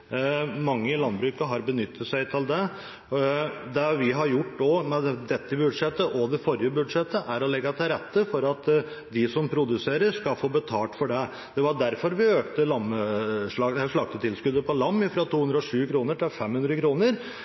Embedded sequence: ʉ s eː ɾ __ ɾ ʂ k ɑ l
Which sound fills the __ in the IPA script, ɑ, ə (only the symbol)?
ə